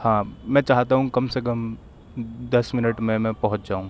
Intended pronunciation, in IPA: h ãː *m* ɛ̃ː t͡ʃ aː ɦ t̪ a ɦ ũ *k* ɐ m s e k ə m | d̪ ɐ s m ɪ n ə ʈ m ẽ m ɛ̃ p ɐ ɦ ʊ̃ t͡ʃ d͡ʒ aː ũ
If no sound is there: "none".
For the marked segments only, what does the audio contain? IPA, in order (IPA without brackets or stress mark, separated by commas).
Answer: m, k